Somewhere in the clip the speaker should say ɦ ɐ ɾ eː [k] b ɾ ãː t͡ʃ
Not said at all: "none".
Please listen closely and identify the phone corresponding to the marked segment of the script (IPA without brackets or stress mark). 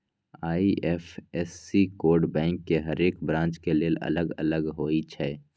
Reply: k